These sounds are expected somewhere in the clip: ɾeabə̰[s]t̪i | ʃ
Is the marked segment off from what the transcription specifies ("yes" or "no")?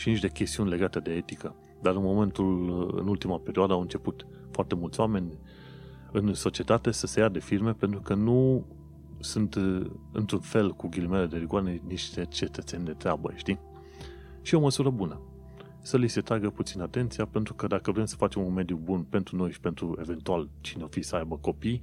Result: yes